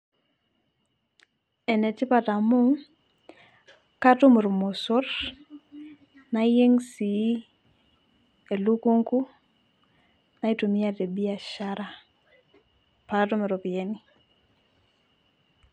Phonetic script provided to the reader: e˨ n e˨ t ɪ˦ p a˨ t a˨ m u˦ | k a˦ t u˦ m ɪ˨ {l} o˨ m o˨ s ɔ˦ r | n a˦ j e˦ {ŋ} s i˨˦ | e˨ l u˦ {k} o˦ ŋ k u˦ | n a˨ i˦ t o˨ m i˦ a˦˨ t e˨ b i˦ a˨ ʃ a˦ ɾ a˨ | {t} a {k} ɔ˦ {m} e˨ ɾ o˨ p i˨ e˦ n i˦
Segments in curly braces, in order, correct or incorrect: incorrect: ɾ, correct, correct, incorrect: p, incorrect: t, correct

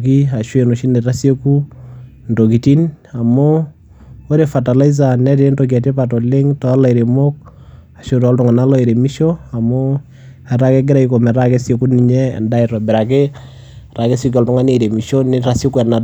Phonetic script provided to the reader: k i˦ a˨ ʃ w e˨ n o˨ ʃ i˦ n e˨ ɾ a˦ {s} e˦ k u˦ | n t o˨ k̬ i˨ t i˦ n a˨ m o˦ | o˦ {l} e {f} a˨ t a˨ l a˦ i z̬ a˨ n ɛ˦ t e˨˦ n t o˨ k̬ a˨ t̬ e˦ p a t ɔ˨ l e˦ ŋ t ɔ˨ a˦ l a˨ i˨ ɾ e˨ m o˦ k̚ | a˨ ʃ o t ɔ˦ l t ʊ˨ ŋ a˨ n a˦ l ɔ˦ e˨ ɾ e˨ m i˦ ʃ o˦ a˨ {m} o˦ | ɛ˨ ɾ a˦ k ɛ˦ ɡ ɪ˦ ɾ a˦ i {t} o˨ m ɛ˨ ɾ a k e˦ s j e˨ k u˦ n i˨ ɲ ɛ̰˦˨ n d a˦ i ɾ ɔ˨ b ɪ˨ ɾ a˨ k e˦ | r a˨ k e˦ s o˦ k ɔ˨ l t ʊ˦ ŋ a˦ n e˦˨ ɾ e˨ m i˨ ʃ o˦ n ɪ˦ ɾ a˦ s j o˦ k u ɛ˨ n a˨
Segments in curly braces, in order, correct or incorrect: correct, incorrect: ɾ, correct, correct, incorrect: k

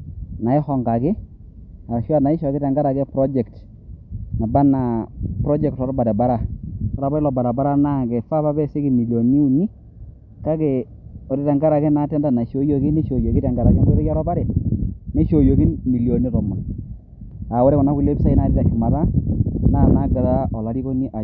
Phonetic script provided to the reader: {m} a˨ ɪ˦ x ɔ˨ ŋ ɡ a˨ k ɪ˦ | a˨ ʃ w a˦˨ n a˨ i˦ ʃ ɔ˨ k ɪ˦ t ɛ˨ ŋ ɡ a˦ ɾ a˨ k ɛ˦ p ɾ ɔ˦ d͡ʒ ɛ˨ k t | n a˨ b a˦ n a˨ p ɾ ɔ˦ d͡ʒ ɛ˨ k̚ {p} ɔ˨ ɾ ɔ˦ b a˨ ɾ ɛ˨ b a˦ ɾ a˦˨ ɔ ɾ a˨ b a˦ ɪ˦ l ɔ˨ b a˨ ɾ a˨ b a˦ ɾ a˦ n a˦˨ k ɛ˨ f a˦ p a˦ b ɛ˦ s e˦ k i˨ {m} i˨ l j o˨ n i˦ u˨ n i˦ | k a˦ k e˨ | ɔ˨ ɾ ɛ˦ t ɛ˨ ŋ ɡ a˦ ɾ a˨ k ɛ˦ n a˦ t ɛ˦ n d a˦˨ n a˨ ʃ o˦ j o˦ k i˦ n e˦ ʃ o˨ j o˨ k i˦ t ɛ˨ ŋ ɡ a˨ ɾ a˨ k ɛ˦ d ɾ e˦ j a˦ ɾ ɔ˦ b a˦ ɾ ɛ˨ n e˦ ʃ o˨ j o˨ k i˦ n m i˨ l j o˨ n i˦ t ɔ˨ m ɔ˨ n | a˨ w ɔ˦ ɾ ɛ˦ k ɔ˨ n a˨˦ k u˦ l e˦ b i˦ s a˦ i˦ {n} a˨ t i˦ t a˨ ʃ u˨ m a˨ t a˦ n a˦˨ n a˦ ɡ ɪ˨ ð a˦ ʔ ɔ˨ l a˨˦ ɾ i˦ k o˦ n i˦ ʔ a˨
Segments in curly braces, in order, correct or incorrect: incorrect: n, incorrect: t, correct, correct

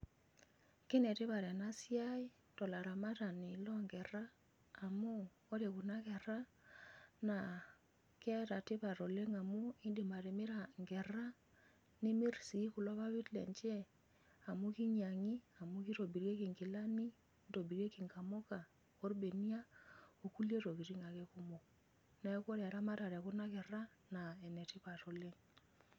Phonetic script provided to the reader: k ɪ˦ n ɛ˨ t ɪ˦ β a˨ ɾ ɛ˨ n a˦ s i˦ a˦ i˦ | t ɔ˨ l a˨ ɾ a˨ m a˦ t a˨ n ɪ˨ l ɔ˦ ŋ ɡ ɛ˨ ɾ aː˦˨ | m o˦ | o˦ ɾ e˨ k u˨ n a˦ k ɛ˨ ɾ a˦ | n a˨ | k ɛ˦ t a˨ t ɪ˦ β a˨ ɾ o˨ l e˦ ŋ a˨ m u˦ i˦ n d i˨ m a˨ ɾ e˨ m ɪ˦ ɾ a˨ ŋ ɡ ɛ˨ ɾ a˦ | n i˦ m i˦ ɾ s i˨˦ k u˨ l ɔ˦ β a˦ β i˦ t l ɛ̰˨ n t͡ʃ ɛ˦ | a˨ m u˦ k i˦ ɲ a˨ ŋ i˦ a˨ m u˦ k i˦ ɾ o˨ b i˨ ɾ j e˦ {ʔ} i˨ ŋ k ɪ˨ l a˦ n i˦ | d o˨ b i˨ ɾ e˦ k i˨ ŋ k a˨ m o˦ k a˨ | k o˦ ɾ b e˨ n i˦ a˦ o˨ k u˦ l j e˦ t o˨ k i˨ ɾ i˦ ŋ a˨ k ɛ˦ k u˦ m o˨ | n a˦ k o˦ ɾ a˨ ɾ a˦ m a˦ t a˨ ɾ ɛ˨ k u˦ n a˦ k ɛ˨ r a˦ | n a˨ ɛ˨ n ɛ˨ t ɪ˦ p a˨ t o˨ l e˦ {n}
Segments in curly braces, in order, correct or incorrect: incorrect: k, incorrect: ŋ

